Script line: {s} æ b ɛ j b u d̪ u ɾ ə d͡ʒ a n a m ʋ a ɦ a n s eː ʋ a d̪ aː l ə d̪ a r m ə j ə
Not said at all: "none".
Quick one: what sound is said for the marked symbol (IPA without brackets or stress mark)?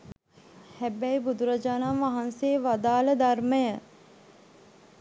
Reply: h